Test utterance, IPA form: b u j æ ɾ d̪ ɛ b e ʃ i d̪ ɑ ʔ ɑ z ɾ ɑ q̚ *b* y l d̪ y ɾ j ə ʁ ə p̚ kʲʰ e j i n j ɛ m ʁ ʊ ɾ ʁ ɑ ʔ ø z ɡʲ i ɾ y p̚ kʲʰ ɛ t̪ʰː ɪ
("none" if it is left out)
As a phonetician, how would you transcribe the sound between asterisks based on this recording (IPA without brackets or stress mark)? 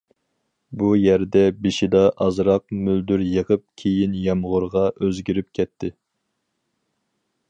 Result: m